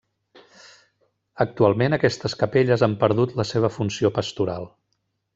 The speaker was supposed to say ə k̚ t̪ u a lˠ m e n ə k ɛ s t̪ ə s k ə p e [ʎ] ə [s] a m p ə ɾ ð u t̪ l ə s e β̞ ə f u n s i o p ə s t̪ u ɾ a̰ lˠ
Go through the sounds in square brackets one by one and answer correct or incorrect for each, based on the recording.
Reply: correct, incorrect: z

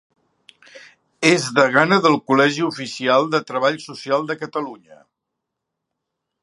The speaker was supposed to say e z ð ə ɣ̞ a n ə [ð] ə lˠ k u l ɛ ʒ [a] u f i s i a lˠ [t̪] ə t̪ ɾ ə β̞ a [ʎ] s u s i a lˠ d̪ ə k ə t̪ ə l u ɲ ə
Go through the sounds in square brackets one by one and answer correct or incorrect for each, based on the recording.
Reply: correct, incorrect: i, incorrect: d̪, correct

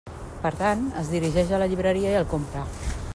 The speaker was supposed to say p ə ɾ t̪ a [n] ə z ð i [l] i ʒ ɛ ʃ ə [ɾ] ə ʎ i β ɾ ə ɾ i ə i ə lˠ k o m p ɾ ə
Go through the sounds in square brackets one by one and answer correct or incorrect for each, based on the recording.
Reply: correct, incorrect: ɾ, incorrect: l

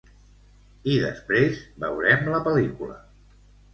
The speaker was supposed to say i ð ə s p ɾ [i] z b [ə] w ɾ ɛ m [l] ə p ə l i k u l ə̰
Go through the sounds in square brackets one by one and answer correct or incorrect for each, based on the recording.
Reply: incorrect: e, correct, correct

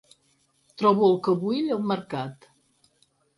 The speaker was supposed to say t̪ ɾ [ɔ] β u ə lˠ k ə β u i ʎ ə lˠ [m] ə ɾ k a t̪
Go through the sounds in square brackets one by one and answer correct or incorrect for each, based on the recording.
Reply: correct, correct

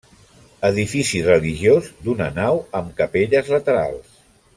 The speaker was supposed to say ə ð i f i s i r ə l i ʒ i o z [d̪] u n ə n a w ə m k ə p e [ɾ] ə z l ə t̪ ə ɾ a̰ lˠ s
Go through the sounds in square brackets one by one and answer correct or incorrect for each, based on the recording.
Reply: correct, incorrect: ʎ

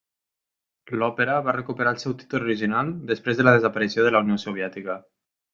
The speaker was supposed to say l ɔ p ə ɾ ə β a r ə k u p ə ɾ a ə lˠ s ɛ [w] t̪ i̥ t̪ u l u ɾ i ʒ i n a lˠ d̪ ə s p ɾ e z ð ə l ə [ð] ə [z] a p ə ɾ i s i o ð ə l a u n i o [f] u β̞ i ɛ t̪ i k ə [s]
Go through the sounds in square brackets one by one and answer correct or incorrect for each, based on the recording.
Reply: correct, correct, correct, incorrect: s, incorrect: none

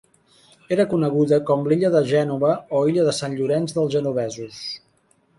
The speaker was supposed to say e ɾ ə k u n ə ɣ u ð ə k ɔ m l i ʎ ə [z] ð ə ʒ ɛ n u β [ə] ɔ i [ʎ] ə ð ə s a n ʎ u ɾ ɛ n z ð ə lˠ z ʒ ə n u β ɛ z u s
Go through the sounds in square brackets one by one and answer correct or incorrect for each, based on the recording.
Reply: incorrect: none, correct, correct

